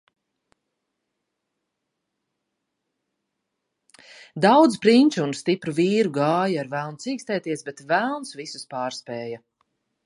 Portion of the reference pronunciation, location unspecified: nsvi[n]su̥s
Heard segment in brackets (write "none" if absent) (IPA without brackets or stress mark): none